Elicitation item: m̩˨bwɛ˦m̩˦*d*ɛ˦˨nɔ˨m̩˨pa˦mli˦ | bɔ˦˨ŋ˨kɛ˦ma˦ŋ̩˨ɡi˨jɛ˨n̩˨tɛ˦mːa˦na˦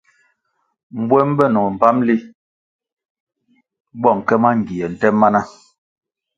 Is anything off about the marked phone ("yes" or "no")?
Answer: yes